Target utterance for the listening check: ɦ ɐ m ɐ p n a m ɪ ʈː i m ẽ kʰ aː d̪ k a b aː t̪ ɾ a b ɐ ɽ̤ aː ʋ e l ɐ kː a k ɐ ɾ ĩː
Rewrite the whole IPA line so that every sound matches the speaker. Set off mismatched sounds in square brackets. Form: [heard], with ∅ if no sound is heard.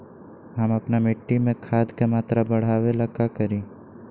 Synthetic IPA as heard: ɦ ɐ m ɐ p n a m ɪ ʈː i m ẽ kʰ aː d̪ k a [m] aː t̪ ɾ a b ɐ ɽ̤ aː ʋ e l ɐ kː a k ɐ ɾ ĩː